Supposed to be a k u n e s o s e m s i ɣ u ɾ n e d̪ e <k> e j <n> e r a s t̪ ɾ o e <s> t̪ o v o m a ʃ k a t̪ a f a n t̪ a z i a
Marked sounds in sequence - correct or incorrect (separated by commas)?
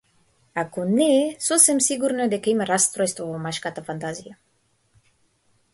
correct, incorrect, correct